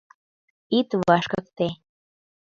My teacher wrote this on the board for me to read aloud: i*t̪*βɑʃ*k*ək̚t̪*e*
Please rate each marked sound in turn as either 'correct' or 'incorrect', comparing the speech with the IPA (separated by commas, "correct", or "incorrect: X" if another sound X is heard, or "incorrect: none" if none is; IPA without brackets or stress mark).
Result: correct, correct, correct